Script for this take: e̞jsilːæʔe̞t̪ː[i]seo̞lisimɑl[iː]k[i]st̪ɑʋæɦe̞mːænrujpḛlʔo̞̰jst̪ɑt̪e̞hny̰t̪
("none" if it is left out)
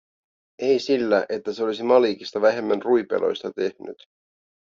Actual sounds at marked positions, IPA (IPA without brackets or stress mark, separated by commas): æ, iː, i